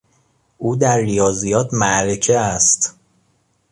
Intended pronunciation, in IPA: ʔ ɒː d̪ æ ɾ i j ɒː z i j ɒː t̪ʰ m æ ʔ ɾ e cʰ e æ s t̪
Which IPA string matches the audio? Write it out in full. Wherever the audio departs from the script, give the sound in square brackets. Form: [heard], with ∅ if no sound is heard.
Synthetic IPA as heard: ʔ [uː] d̪ æ [ɾː] i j ɒː z i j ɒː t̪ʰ m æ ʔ ɾ e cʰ e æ s t̪